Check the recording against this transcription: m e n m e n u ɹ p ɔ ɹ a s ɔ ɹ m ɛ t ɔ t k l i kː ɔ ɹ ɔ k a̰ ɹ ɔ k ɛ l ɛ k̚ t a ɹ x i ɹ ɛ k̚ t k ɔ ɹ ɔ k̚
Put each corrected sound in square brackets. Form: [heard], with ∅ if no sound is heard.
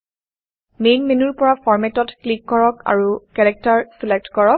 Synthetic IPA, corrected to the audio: m e n m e n u ɹ p ɔ ɹ a [f] ɔ ɹ m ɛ t ɔ t k l i kː ɔ ɹ ɔ k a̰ ɹ [u] k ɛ [ɹ] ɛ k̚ t a ɹ [s] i [l] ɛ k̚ t k ɔ ɹ ɔ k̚